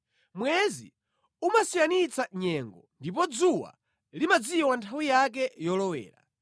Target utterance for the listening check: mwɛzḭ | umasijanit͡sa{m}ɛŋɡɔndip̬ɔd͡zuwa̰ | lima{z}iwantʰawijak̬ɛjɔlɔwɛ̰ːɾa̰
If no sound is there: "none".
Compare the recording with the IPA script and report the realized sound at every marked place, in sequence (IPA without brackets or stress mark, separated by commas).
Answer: ɲ, d͡z